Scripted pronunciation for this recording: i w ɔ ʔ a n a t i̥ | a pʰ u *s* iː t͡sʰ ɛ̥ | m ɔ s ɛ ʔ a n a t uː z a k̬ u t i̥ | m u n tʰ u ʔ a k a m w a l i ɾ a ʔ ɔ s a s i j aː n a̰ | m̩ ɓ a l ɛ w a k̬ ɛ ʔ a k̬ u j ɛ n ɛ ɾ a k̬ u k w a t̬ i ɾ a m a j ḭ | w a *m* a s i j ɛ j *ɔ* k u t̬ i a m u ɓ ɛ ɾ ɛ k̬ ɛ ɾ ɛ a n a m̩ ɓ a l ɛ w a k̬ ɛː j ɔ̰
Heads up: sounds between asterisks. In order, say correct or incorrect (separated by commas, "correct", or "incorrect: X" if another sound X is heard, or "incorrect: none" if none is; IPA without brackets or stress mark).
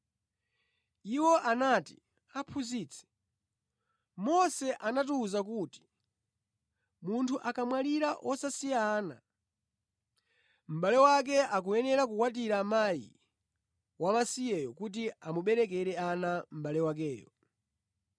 incorrect: z, correct, correct